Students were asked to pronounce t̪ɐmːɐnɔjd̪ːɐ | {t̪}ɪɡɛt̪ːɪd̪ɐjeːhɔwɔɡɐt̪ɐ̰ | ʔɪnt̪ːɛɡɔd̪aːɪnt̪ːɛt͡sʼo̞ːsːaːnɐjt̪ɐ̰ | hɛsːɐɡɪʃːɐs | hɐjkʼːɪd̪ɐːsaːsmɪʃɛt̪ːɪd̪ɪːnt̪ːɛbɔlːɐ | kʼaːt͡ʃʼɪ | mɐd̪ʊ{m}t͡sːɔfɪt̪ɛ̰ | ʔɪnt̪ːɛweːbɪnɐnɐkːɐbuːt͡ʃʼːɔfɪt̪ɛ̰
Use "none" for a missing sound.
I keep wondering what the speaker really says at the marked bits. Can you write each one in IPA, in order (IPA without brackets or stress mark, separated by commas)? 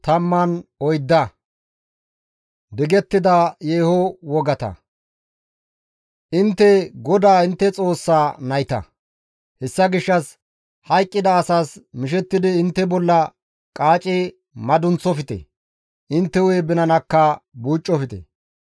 d̪, n